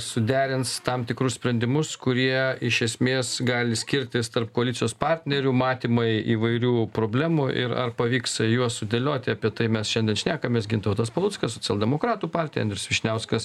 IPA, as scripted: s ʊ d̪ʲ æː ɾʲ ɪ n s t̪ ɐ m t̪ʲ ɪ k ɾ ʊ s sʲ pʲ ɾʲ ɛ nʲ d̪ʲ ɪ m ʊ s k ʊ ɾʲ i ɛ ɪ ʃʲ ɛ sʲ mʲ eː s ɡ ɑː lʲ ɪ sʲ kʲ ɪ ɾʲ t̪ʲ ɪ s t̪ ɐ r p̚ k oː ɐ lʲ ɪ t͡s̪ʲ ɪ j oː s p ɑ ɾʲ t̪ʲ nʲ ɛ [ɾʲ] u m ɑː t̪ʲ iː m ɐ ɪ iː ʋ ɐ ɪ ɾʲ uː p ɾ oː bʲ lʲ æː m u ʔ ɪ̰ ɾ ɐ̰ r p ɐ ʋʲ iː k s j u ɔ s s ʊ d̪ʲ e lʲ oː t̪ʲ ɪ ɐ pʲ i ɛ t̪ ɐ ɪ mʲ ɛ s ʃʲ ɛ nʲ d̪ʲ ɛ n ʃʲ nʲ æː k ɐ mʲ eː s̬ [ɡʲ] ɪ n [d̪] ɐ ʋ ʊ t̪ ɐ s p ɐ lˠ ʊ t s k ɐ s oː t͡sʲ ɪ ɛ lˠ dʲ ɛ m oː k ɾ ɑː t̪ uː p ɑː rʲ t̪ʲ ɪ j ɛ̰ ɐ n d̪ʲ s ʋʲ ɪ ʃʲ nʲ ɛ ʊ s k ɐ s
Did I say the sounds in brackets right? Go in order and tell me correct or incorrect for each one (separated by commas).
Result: correct, correct, incorrect